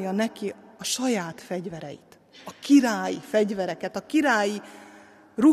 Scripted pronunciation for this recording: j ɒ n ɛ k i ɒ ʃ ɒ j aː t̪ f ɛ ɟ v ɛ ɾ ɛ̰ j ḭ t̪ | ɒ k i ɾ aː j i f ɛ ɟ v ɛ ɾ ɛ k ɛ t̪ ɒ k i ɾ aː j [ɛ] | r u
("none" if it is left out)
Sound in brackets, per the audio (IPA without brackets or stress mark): i